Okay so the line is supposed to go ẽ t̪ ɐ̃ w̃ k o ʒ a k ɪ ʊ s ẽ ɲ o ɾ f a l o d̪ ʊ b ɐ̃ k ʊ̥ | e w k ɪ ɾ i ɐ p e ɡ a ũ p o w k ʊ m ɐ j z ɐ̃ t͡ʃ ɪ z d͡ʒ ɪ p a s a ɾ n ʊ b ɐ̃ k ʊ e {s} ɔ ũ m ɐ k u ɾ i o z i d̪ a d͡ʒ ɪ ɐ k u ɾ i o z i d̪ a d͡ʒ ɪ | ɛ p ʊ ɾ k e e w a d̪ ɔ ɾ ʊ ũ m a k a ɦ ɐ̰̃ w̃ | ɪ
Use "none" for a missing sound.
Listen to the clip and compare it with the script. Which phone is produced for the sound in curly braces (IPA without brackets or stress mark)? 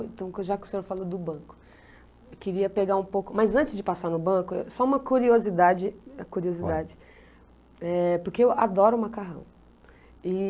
s